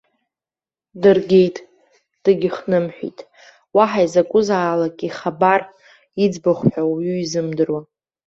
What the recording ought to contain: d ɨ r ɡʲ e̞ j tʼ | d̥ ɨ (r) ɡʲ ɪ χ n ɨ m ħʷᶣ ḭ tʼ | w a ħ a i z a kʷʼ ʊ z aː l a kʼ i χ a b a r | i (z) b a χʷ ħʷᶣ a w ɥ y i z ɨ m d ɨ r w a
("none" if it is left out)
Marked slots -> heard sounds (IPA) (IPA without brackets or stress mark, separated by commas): none, d͡z